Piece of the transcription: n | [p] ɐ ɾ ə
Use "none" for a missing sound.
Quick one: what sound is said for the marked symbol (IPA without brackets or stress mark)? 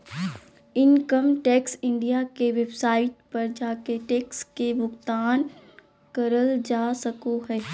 k